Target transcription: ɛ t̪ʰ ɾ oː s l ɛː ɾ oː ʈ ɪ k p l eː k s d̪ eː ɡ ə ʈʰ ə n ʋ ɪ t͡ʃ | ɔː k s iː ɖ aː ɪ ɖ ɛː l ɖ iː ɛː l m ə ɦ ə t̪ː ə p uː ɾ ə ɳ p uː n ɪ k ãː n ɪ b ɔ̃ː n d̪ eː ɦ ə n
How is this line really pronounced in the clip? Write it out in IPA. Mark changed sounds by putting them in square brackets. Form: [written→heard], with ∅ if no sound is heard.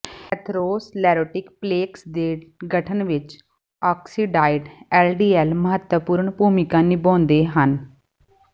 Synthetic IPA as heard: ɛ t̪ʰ ɾ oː s l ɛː ɾ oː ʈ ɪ k p l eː k s d̪ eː ɡ ə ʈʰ ə n ʋ ɪ t͡ʃ | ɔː k s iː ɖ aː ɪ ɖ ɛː l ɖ iː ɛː l m ə ɦ ə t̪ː ə p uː ɾ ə ɳ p uː [n→m] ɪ k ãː n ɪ b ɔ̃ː n d̪ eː ɦ ə n